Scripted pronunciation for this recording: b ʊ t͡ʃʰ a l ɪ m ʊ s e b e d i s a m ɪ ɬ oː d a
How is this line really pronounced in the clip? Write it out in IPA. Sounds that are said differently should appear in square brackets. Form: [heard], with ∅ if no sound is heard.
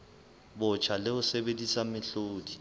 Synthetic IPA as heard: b ʊ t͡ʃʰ a l ɪ [∅] ʊ s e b e d i s a m ɪ ɬ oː d [i]